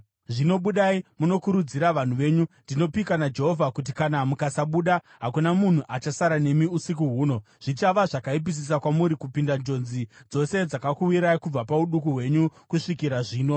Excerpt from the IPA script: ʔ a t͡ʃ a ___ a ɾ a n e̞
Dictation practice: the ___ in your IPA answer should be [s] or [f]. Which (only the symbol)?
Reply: s